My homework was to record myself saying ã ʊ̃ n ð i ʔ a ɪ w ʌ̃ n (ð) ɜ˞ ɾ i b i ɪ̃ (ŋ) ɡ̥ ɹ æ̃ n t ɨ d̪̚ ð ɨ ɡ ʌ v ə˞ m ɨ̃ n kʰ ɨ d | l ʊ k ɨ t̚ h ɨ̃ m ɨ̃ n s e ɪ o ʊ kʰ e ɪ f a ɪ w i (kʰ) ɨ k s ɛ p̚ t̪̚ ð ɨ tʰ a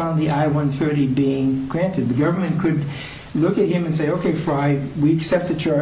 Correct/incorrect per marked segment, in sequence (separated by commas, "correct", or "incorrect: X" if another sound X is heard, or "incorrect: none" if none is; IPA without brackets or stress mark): incorrect: θ, correct, incorrect: none